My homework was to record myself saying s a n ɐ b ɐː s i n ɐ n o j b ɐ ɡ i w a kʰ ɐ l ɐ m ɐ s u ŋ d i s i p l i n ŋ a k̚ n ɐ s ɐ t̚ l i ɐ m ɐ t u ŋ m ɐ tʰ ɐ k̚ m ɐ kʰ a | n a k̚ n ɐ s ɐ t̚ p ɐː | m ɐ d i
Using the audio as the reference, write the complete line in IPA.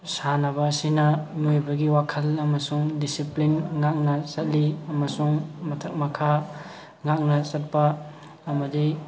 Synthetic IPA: s a n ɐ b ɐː s i n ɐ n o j b ɐ ɡ i w a kʰ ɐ l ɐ m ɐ s u ŋ d i s i p l i n ŋ a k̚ n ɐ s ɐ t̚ l i ɐ m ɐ s u ŋ m ɐ tʰ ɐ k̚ m ɐ kʰ a | ŋ a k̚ n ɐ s ɐ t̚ p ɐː | m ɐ d i